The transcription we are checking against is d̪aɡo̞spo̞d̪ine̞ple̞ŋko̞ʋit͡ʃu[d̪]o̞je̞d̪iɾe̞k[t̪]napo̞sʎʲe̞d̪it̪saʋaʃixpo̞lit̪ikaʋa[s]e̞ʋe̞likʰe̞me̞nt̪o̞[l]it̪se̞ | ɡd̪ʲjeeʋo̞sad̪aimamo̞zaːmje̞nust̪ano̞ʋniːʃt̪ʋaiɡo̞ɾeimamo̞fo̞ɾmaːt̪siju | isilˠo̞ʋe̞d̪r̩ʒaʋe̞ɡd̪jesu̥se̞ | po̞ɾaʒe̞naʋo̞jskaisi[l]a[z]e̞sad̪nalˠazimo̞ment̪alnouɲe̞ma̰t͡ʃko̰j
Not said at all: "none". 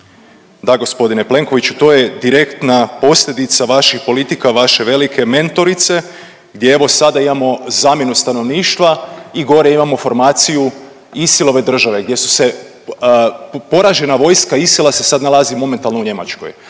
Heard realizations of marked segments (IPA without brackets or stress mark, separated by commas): t̪, t̪, ʃ, ɾ, l, s